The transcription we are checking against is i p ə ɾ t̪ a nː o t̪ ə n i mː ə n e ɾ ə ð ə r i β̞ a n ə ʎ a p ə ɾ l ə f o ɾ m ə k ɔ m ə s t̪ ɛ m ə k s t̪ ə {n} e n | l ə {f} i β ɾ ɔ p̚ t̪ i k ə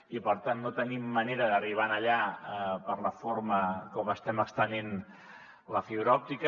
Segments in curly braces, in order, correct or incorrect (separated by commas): correct, correct